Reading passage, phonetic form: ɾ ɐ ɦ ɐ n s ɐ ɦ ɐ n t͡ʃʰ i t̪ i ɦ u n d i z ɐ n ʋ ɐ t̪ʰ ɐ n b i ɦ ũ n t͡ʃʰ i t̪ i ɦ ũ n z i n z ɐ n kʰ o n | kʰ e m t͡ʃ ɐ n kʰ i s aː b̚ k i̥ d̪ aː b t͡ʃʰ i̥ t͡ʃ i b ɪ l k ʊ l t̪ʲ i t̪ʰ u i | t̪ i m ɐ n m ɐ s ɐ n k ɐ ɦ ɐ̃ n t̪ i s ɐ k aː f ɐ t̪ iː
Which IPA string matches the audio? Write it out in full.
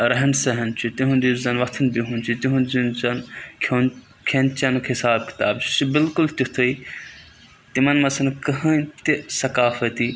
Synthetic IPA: ɾ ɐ ɦ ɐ n s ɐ ɦ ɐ n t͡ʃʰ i t̪ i ɦ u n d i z ɐ n ʋ ɐ t̪ʰ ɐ n b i ɦ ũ n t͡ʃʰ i t̪ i ɦ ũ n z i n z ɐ n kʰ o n | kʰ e n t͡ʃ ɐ n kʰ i s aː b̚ k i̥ t̪ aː b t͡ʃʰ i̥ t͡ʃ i b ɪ l k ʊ l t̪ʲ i t̪ʰ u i | t̪ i m ɐ n m ɐ s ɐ n k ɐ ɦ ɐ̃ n t̪ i s ɐ k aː f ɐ t̪ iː